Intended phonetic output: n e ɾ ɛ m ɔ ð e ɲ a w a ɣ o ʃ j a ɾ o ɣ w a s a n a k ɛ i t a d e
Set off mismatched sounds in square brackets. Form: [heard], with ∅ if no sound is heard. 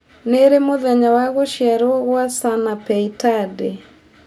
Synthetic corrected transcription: n e ɾ [e] m [o] ð [ɛ] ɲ a w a ɣ o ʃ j a ɾ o ɣ w a s a n a [p] ɛ i t a d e